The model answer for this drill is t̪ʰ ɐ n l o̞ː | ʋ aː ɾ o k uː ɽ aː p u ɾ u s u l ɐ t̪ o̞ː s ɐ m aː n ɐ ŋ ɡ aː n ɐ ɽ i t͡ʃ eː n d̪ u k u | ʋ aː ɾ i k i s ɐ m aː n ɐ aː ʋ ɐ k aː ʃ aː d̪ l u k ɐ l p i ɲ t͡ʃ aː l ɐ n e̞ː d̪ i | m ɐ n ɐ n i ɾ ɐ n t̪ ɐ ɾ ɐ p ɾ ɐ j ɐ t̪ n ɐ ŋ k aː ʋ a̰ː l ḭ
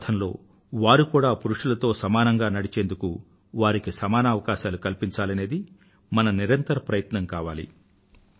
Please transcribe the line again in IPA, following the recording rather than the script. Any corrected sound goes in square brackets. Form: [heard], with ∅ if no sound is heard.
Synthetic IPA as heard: t̪ʰ ɐ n l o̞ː | ʋ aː ɾ [u] k uː ɽ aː p u ɾ u [ʂ] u l ɐ t̪ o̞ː s ɐ m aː n ɐ ŋ ɡ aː n ɐ ɽ i t͡ʃ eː n d̪ u k u | ʋ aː ɾ i k i s ɐ m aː n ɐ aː ʋ ɐ k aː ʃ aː [∅] l u k ɐ l p i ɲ t͡ʃ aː l ɐ n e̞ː d̪ i | m ɐ n ɐ n i ɾ ɐ n t̪ ɐ ɾ ɐ p ɾ ɐ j ɐ t̪ n ɐ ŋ k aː ʋ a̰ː l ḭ